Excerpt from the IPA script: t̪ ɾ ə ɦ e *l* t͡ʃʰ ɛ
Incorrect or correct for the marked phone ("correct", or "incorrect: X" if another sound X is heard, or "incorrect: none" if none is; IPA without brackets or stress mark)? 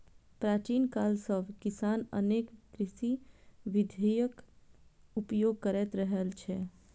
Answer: correct